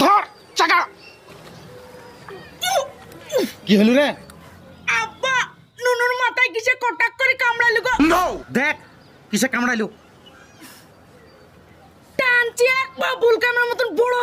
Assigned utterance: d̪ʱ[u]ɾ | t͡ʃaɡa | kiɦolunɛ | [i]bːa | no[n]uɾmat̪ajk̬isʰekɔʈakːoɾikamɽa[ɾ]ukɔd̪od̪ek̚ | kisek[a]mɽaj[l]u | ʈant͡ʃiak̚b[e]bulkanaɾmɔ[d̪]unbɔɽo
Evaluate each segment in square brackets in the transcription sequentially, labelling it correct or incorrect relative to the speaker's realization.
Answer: incorrect: ɔ, incorrect: a, correct, incorrect: l, correct, correct, incorrect: a, incorrect: t̪

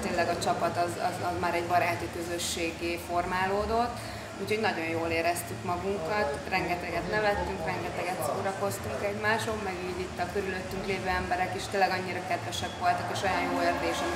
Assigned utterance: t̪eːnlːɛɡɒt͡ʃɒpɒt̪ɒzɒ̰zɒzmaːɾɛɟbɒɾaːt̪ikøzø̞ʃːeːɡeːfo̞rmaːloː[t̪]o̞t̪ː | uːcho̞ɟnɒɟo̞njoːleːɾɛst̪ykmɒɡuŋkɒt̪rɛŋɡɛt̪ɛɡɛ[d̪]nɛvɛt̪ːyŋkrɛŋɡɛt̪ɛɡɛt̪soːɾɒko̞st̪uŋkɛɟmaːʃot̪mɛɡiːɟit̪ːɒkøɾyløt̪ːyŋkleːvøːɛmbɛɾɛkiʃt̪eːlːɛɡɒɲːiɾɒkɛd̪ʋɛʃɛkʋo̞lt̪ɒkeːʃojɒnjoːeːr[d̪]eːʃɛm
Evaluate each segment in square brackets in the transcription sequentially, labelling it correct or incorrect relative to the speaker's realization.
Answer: incorrect: d̪, incorrect: t̪, correct

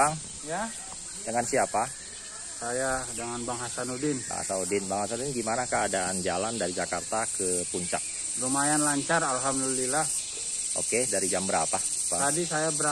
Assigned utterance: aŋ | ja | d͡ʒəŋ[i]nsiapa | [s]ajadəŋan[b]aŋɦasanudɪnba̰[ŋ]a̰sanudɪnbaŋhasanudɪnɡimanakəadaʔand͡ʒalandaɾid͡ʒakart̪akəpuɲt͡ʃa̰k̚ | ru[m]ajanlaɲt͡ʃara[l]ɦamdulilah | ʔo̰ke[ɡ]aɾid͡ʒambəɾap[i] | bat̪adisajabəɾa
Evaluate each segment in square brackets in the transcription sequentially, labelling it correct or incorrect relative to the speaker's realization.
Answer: incorrect: a, correct, correct, correct, correct, correct, incorrect: d, incorrect: a

